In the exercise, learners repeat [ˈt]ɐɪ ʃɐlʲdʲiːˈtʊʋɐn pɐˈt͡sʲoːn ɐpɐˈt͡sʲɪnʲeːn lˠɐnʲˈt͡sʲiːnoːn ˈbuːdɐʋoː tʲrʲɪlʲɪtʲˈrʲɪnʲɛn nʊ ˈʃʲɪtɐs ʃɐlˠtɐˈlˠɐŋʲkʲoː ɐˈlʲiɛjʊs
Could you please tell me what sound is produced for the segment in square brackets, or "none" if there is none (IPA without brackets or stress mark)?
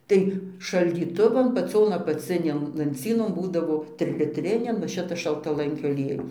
t